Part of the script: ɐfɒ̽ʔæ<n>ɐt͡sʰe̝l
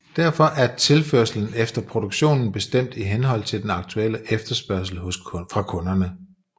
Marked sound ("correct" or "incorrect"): incorrect